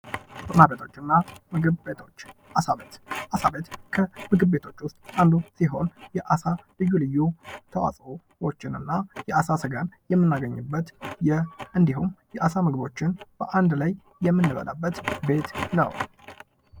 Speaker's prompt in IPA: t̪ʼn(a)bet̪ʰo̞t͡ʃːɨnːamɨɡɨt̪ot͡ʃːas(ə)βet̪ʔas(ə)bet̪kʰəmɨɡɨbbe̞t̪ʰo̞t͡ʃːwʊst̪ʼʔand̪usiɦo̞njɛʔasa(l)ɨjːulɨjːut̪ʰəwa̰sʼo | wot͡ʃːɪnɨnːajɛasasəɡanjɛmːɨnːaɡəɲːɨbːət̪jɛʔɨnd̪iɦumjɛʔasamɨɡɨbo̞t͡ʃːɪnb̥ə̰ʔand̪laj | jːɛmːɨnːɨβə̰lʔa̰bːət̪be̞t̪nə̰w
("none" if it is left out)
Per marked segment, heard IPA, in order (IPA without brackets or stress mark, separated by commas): a, a, a, l